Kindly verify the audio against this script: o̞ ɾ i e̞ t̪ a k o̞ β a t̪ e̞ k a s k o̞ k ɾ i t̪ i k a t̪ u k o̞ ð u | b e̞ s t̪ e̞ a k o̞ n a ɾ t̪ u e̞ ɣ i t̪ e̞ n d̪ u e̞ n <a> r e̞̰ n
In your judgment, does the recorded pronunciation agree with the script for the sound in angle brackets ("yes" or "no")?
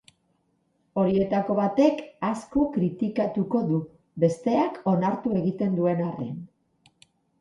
yes